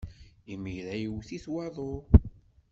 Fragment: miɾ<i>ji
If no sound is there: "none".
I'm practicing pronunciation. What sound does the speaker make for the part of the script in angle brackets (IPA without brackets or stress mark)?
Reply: æ